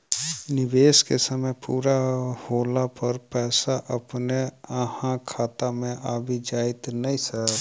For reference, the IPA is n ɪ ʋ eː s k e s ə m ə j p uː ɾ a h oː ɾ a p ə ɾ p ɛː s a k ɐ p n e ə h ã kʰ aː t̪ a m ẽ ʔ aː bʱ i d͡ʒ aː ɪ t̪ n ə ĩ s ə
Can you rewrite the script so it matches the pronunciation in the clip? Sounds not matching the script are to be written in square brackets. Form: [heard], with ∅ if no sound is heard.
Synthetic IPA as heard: n ɪ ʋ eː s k e s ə m ə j p uː ɾ a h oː [l] a p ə ɾ p ɛː s a [ʔ] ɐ p n e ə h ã kʰ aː t̪ a m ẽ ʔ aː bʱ i d͡ʒ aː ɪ t̪ n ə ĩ s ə